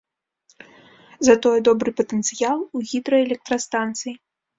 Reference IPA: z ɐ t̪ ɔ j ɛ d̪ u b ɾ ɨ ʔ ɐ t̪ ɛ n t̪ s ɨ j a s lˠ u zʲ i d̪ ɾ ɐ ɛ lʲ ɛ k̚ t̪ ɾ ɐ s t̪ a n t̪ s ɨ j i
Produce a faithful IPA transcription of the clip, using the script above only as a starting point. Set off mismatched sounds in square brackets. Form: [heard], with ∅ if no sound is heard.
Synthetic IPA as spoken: z ɐ t̪ ɔ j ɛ d̪ [ɔ] b ɾ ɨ [p] ɐ t̪ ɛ n t̪ s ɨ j a [∅] lˠ u [ɣʲ] i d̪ ɾ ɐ ɛ lʲ ɛ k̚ t̪ ɾ ɐ s t̪ a n t̪ s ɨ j i